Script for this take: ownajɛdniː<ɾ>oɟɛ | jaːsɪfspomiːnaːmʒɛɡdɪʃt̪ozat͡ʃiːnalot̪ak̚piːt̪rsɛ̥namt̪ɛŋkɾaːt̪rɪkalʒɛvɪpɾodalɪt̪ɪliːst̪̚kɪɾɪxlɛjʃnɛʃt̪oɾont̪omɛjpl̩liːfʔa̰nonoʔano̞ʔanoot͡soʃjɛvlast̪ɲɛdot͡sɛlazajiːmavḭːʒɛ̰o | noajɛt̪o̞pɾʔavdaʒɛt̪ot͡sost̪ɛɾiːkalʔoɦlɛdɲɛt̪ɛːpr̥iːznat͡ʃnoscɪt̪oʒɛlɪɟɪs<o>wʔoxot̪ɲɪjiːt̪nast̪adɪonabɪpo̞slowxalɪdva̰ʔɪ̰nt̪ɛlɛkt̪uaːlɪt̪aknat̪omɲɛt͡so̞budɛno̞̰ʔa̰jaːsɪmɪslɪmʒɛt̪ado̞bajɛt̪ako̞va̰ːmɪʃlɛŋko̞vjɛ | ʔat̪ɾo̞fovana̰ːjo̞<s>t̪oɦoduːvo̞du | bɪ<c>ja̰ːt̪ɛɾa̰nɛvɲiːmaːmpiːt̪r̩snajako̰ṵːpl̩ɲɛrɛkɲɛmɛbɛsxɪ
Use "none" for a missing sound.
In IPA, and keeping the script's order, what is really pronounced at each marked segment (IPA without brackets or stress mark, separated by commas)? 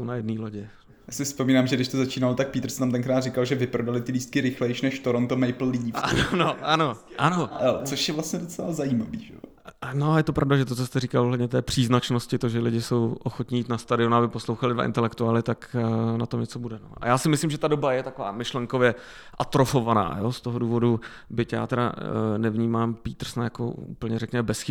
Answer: l, o, s, c